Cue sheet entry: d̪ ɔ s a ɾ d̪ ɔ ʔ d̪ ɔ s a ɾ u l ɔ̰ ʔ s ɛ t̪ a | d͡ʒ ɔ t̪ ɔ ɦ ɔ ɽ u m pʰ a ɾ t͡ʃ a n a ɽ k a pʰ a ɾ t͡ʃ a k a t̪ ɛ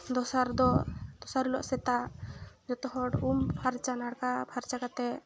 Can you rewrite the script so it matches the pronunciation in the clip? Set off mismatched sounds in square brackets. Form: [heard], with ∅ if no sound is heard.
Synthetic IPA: d̪ ɔ s a ɾ d̪ ɔ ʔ d̪ ɔ s a ɾ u l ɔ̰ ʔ s ɛ t̪ a | d͡ʒ ɔ t̪ ɔ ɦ ɔ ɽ u m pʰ a ɾ t͡ʃ a n a ɽ k a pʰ a ɾ t͡ʃ a k a t̪ ɛ